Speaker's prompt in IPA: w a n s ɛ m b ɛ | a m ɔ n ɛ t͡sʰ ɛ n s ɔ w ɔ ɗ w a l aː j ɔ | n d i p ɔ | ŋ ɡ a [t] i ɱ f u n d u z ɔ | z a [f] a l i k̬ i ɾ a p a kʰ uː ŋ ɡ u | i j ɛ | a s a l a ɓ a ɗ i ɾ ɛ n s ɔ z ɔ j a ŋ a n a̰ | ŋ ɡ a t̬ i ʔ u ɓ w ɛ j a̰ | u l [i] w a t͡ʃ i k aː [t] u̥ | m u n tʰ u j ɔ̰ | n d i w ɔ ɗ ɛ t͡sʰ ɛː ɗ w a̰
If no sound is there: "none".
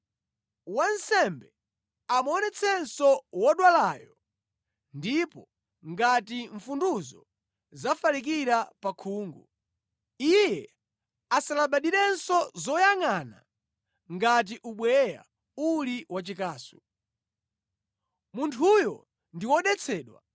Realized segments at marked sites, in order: t, f, i, s

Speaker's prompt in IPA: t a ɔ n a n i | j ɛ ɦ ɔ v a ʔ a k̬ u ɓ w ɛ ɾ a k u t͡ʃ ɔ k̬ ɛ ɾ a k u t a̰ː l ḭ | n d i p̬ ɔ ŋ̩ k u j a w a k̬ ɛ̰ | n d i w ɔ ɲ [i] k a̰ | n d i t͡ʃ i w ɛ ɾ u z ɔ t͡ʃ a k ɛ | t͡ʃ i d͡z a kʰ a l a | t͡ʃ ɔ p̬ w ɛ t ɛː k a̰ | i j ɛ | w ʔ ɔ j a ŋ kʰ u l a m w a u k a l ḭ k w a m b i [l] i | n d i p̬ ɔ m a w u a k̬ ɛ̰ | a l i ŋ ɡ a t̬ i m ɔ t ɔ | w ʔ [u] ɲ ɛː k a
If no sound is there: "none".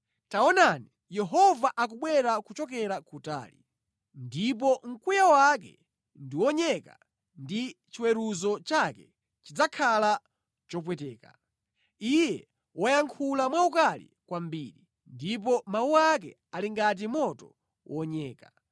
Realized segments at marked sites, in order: ɛ, ɾ, ɔ

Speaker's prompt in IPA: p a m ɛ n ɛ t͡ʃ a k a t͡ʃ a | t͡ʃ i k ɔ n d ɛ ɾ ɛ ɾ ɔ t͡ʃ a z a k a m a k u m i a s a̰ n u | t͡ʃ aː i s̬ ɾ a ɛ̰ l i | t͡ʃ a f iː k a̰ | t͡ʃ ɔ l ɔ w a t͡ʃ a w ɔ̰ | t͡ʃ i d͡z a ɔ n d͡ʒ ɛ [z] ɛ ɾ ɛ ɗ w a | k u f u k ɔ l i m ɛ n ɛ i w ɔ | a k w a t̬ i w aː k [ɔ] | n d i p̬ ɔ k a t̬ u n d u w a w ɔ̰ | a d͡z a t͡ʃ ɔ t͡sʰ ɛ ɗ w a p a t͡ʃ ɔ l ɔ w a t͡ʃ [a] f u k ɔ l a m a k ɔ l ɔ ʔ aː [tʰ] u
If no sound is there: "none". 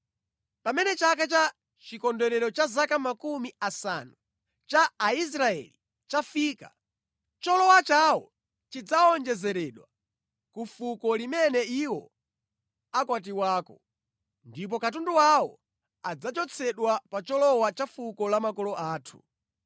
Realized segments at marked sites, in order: z, ɔ, a, tʰ

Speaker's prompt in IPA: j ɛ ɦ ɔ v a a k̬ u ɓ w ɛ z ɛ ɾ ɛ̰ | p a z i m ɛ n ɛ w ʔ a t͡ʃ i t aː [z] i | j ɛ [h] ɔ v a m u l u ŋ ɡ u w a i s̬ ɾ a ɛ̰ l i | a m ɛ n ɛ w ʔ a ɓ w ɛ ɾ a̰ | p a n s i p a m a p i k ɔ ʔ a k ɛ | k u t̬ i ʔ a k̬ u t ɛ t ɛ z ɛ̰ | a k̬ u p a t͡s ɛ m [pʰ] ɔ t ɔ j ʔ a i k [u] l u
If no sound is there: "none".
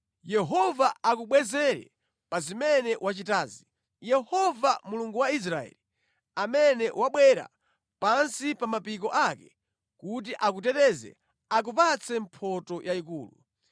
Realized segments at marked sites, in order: z, h, pʰ, uː

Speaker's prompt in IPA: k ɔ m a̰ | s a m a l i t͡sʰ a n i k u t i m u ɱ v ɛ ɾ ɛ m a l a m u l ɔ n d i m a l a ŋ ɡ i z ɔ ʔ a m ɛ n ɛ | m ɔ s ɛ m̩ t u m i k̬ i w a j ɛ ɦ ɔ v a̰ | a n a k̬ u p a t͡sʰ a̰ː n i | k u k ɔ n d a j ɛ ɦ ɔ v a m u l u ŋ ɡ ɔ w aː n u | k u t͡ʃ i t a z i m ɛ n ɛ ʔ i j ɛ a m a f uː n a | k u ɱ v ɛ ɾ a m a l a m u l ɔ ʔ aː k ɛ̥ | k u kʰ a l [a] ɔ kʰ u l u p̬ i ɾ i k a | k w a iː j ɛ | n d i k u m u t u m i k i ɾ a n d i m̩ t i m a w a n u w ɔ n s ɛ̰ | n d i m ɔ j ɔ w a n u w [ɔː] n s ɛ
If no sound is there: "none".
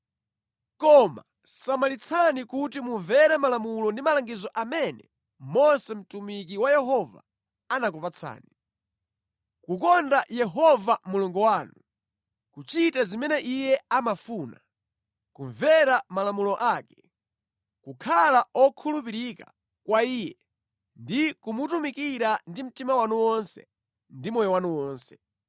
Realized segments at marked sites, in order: a, ɔː

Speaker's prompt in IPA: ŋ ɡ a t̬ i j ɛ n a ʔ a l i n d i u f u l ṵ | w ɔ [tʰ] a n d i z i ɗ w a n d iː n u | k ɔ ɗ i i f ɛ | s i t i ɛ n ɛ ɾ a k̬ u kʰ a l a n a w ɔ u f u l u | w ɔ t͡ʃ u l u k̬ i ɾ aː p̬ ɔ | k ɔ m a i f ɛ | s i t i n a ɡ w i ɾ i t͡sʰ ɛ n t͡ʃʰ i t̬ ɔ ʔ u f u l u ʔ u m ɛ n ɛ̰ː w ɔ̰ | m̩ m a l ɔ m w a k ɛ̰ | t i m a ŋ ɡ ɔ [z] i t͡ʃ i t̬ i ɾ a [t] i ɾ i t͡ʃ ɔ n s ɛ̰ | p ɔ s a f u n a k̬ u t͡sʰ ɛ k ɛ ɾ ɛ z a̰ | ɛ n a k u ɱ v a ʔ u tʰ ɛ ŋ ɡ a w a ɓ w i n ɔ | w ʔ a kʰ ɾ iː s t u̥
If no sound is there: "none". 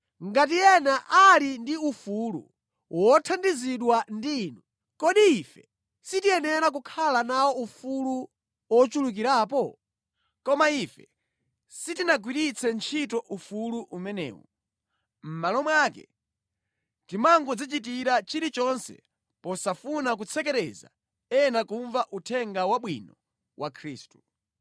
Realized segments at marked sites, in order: tʰ, d͡z, t͡ʃ

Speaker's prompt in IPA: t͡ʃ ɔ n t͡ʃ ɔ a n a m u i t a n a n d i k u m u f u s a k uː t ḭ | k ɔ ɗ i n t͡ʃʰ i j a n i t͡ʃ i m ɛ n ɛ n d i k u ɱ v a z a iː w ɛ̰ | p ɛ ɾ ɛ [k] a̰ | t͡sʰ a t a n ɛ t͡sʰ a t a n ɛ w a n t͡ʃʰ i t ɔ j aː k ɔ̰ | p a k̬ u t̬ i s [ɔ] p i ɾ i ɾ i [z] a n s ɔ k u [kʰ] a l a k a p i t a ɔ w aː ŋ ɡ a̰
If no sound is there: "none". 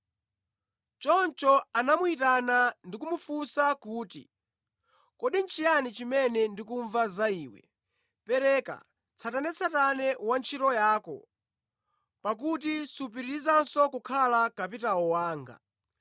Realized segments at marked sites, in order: k, u, z, kʰ

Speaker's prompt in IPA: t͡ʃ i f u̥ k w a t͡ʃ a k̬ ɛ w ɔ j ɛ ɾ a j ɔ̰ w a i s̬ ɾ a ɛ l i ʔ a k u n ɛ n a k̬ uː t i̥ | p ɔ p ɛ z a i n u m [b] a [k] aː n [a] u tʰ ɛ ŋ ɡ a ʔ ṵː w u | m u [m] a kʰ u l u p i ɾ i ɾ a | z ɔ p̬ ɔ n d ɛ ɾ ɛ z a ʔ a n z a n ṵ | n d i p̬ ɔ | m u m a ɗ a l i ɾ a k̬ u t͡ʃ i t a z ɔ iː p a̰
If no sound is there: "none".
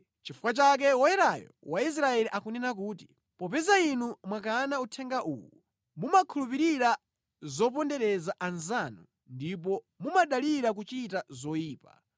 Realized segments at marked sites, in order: w, k, a, m

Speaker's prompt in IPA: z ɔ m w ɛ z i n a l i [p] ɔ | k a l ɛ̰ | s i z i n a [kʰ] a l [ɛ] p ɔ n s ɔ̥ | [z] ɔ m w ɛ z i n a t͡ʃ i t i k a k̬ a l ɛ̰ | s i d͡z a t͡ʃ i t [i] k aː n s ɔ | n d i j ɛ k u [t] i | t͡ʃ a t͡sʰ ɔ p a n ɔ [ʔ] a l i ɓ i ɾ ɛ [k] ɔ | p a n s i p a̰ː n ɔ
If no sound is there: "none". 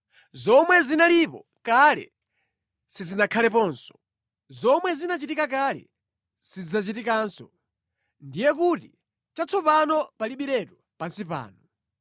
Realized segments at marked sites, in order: p, kʰ, ɛ, z, i, t, p, t

